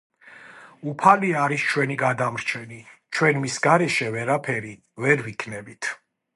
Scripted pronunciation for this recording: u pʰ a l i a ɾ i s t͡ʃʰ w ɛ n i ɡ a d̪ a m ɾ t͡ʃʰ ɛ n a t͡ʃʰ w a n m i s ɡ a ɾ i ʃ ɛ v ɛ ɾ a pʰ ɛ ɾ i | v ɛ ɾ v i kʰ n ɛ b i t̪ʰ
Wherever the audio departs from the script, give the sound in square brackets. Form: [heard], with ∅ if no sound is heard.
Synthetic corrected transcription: u pʰ a l i a ɾ i s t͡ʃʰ w ɛ n i ɡ a d̪ a m ɾ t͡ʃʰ ɛ n [i] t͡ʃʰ w [ɛ] n m i s ɡ a ɾ [ɛ] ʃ ɛ v ɛ ɾ a pʰ ɛ ɾ i | v ɛ ɾ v i kʰ n ɛ b i t̪ʰ